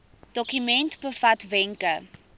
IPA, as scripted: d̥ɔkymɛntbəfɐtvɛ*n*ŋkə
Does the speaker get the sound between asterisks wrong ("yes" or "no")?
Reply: yes